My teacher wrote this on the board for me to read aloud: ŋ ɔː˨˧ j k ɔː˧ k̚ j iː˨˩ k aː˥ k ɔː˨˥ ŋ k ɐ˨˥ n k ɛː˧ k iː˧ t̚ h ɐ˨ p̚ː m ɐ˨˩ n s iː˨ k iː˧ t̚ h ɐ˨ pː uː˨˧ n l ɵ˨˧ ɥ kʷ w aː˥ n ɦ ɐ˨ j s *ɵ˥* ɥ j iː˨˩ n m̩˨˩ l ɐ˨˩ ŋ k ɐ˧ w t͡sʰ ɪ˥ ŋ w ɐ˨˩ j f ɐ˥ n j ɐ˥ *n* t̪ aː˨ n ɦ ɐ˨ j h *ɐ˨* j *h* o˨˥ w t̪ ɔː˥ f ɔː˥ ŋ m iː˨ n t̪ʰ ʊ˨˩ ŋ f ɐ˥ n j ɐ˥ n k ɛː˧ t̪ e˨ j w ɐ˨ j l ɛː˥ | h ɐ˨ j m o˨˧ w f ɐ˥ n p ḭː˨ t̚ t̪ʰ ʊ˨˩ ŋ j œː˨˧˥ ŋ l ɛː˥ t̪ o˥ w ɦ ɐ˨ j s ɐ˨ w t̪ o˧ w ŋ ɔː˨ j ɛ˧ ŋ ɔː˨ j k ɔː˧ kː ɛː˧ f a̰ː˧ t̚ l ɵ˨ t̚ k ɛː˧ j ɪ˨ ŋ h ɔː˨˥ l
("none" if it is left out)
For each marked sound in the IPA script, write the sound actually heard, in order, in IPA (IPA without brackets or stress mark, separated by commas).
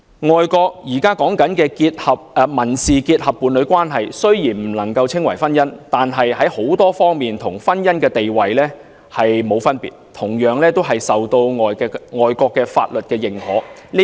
ɵ˥, n, ɐ˨˥, h